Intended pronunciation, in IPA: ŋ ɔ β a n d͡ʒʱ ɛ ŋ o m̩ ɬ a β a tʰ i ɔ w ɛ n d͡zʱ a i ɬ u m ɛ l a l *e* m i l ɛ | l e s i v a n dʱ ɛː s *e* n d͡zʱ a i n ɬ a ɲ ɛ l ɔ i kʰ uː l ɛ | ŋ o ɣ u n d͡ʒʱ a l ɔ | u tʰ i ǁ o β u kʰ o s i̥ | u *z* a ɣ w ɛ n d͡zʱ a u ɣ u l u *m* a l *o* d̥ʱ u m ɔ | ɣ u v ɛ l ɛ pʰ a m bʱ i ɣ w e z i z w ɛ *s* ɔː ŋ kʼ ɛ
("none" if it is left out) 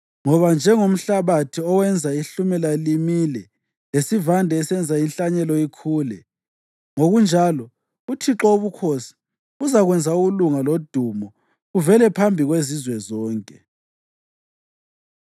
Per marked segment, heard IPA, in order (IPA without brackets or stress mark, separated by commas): i, ɛ, z, ŋ, o, z